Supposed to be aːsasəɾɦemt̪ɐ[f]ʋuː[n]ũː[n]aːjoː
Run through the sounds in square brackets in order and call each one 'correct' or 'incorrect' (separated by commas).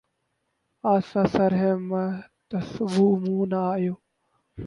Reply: incorrect, incorrect, correct